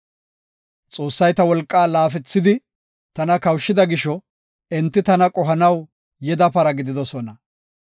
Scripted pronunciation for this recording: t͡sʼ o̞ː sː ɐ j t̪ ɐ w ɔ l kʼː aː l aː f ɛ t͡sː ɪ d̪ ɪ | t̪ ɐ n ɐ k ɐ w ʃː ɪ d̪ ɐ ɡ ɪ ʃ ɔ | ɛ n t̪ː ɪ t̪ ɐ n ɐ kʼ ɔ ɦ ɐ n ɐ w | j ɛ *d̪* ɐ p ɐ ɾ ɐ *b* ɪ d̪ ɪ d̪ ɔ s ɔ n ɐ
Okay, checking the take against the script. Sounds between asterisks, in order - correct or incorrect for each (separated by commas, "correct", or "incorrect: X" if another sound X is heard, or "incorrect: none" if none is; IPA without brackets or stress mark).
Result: correct, incorrect: ɡ